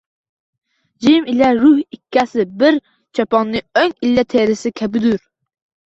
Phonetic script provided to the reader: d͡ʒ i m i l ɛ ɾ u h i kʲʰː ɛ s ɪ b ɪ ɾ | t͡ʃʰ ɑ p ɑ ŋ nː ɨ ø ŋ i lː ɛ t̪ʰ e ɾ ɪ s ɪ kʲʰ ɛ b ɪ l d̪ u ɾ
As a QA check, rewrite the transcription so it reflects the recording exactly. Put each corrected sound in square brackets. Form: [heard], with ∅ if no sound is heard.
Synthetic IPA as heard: d͡ʒ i m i l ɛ ɾ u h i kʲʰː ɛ s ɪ b ɪ ɾ | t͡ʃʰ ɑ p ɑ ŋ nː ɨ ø ŋ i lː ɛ t̪ʰ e ɾ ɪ s ɪ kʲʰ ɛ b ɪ [∅] d̪ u ɾ